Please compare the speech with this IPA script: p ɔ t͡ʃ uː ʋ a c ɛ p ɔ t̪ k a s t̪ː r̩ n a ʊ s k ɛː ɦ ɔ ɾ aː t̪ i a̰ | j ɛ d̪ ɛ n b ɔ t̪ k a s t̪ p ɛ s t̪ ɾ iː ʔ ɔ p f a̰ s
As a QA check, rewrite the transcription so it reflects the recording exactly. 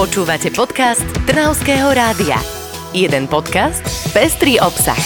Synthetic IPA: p ɔ t͡ʃ uː ʋ a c ɛ p ɔ t̪ k a s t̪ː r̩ n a ʊ s k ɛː ɦ ɔ ɾ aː d̪ i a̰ | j ɛ d̪ ɛ n p ɔ t̪ k a s t̪ p ɛ s t̪ ɾ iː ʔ ɔ p s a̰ x